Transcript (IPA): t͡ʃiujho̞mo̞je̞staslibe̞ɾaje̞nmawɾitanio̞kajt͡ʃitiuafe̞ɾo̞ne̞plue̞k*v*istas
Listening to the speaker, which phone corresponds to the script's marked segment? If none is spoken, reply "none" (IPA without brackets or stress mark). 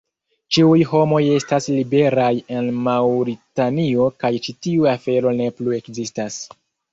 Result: z